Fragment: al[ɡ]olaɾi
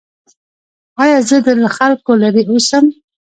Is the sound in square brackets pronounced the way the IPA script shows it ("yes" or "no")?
no